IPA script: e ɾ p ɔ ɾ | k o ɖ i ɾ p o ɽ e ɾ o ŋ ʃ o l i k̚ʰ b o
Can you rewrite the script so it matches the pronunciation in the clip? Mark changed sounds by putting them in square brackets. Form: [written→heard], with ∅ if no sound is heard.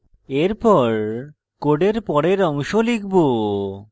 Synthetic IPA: e ɾ p ɔ ɾ | k o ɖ [i→e] ɾ p [o→ɔ] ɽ e ɾ [o→ɔ] ŋ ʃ o l i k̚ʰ b o